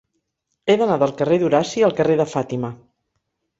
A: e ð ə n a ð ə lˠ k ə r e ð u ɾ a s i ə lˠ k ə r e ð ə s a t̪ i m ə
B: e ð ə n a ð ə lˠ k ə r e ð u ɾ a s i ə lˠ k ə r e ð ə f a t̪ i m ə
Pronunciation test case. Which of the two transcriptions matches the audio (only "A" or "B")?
B